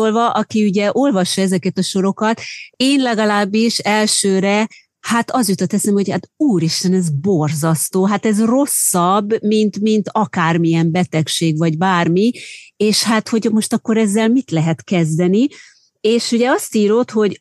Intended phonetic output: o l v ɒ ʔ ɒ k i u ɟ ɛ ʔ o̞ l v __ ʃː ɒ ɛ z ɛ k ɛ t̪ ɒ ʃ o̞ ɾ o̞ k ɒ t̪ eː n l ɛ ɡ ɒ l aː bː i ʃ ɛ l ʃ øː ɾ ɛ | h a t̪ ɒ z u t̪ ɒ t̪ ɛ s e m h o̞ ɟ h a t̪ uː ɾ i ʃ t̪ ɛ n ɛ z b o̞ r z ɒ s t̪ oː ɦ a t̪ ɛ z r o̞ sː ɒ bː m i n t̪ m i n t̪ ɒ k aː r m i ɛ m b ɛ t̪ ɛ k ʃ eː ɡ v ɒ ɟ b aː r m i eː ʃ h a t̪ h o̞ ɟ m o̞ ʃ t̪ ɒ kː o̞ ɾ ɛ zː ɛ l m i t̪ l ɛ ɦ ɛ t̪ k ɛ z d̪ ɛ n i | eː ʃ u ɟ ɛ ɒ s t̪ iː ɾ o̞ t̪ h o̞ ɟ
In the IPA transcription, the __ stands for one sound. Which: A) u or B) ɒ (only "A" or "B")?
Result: B